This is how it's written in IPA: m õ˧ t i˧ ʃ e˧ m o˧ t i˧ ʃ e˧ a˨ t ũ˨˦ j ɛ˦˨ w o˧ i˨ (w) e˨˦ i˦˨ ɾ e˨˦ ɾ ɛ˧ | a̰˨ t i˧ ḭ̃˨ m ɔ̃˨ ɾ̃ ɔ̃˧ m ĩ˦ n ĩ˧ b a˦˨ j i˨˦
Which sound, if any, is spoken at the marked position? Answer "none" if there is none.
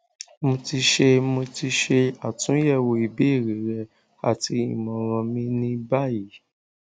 b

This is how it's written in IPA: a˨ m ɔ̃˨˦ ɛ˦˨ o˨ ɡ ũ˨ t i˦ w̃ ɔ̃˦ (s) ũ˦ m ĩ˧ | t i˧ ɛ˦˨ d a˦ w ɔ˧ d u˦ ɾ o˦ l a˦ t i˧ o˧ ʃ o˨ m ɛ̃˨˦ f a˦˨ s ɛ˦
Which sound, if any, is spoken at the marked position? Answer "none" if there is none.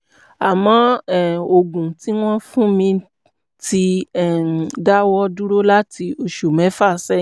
f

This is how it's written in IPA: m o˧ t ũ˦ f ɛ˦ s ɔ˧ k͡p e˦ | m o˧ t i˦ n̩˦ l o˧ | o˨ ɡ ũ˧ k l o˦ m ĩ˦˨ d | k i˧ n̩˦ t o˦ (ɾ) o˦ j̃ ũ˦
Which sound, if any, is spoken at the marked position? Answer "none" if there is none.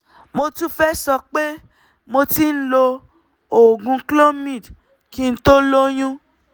l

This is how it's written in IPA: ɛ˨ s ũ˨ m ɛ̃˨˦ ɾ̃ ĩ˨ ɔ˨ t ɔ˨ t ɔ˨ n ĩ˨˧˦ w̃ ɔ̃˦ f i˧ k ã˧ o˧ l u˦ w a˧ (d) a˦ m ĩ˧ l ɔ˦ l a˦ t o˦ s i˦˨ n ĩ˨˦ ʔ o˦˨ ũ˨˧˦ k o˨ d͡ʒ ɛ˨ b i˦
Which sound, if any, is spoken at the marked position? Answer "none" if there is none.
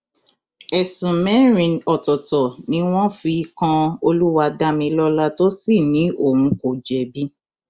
d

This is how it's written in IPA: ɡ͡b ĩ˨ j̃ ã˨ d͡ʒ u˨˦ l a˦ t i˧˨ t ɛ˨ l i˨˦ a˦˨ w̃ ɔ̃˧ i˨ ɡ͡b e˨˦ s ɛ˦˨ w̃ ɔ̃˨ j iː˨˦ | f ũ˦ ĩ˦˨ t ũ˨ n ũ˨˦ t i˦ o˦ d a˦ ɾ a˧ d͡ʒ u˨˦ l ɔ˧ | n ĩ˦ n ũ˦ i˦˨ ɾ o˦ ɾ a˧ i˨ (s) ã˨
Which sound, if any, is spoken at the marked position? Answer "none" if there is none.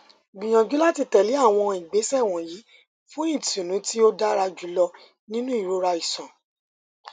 s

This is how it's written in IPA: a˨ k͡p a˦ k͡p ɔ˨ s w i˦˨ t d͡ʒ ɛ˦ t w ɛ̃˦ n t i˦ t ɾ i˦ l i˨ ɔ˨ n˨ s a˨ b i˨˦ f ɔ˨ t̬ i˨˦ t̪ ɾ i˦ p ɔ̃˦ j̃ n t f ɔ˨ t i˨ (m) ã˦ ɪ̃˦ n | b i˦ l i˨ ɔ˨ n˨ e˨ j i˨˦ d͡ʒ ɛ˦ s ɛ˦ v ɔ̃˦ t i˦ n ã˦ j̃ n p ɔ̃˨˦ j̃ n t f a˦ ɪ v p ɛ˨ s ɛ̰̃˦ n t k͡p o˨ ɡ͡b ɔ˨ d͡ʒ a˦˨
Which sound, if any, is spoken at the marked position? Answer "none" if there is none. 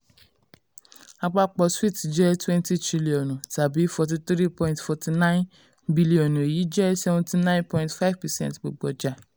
n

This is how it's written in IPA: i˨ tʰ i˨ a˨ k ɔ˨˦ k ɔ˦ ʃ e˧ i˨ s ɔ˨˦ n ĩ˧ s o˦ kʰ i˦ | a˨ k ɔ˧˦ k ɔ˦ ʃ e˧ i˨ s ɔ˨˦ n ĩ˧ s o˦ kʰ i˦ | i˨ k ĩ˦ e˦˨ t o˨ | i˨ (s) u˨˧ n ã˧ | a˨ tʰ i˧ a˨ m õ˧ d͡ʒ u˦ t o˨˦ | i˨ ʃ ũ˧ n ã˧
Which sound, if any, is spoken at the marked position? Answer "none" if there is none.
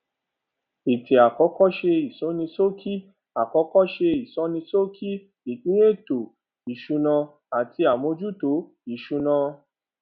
ʃ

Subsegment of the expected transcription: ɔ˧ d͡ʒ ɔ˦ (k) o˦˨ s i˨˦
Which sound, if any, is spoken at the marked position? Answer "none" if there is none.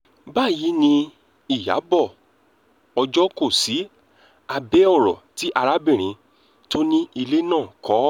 k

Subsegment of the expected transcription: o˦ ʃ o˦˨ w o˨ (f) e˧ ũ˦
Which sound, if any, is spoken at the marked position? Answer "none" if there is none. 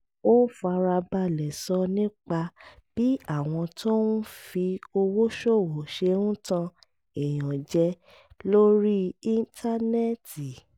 ʃ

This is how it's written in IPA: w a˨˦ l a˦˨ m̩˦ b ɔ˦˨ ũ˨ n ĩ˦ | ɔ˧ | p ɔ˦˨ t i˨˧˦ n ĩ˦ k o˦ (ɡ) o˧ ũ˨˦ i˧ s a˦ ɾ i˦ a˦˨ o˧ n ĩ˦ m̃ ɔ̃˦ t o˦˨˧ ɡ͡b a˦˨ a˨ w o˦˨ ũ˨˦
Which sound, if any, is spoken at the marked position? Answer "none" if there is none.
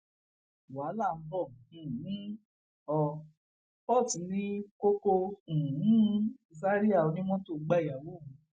k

